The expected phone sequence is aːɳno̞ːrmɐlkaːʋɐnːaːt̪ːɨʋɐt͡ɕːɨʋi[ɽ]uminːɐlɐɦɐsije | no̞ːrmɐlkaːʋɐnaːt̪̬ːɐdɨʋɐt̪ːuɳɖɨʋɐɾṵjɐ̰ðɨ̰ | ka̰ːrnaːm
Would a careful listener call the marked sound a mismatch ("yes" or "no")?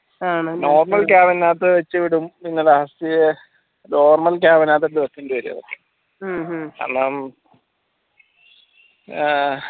no